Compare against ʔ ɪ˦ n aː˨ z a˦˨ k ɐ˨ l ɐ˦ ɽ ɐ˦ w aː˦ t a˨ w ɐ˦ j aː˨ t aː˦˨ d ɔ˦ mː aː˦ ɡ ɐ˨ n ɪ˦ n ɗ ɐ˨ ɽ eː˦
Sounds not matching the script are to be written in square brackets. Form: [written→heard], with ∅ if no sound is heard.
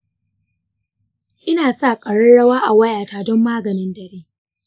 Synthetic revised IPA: ʔ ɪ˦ n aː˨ [z→s] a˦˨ [k→kʼ] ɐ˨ [l→ɽ] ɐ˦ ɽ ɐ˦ w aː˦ [t→ʔ] a˨ w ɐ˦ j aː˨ t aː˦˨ d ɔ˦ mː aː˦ ɡ ɐ˨ n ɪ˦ n [ɗ→d] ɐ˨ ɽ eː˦